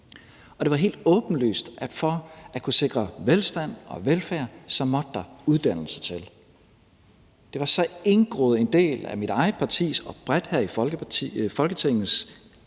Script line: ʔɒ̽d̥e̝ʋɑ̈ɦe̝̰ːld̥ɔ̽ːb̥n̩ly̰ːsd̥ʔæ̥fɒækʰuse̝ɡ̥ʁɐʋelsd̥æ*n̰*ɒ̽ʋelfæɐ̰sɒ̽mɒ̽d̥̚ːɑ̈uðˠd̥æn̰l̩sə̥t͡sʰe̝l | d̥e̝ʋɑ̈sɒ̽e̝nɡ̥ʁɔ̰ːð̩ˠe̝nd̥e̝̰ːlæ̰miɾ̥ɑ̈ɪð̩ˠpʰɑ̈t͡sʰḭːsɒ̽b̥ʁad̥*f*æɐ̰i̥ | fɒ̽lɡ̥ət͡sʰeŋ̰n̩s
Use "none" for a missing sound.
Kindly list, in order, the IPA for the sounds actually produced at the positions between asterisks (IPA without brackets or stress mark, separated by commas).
n̰, h